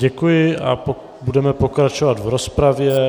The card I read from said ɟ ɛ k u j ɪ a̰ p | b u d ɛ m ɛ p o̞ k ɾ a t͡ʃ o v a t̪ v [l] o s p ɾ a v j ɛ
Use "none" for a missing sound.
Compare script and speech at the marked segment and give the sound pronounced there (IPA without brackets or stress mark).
ɾ